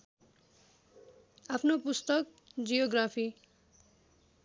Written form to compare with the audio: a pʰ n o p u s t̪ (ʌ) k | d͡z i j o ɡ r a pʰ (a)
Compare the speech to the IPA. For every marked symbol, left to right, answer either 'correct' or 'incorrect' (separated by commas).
correct, incorrect